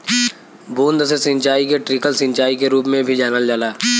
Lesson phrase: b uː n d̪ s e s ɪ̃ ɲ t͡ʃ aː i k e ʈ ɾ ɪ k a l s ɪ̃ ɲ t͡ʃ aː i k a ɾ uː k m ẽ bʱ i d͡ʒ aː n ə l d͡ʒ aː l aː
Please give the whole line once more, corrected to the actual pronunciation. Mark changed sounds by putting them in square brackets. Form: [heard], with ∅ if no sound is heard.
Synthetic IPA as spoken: b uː n d̪ s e s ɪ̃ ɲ t͡ʃ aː i k e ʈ ɾ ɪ k [ə] l s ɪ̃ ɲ t͡ʃ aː i k [e] ɾ uː [p] m ẽ bʱ i d͡ʒ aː n ə l d͡ʒ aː l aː